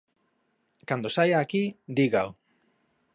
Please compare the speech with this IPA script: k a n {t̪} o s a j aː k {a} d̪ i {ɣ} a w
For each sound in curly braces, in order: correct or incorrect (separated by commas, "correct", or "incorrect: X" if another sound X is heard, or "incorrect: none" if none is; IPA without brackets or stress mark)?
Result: incorrect: d̪, incorrect: i, correct